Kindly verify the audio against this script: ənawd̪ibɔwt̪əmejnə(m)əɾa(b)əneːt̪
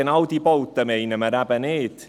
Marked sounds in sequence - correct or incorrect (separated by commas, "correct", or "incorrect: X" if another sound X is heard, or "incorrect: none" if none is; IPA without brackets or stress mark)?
correct, correct